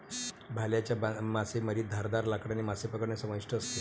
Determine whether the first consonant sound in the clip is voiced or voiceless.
voiced